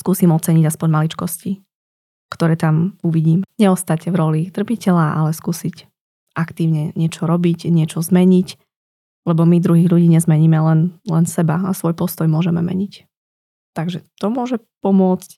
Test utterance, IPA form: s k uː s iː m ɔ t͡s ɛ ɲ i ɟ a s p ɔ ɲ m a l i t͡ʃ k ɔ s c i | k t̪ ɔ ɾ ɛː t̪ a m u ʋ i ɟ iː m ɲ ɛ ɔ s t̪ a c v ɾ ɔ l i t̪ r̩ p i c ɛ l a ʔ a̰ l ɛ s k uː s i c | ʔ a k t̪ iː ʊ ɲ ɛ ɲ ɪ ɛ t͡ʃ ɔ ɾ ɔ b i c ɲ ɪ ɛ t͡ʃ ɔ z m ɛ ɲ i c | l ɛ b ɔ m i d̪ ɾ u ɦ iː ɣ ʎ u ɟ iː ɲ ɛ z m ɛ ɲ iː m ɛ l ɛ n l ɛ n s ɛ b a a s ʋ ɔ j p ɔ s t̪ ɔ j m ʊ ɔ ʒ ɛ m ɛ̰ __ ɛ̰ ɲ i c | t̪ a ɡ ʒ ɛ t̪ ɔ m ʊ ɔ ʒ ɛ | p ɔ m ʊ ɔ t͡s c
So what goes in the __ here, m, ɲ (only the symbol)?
m